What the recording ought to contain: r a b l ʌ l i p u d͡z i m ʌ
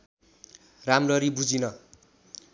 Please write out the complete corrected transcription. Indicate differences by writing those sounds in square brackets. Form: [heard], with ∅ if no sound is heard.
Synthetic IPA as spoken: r a [m] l ʌ [ɾ] i [b] u d͡z i [n] ʌ